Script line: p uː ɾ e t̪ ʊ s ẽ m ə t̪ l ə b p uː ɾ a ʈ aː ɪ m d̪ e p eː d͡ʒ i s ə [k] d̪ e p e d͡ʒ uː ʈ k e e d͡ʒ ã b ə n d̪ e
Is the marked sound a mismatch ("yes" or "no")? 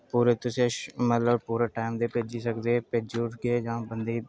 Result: no